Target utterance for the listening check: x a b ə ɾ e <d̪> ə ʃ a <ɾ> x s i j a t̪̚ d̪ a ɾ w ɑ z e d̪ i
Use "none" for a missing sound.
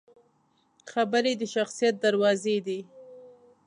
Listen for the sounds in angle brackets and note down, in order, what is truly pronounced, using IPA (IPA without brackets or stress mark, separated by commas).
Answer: d̪, none